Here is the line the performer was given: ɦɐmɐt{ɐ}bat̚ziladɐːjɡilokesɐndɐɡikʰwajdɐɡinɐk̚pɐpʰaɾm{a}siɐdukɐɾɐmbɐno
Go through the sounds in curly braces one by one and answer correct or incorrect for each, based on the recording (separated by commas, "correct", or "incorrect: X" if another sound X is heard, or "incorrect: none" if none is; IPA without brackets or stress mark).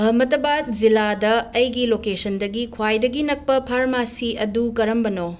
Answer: correct, correct